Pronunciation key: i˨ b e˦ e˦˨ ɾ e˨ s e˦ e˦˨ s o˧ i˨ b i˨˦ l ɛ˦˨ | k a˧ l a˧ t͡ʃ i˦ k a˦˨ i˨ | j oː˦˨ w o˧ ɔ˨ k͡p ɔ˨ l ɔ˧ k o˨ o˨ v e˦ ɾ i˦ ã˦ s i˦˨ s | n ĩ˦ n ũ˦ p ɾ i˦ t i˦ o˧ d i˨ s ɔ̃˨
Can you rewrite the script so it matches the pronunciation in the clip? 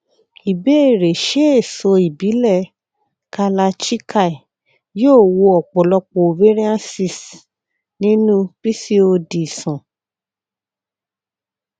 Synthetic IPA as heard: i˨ b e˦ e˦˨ ɾ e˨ ʃ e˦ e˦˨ s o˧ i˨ b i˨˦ l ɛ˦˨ | k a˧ l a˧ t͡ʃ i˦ k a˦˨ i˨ | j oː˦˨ w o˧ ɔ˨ k͡p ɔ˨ l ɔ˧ k͡p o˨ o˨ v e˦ ɾ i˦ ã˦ s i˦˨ s | n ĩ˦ n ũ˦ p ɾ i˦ s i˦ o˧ d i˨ s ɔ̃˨